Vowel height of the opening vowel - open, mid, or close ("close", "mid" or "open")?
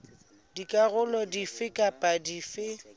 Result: close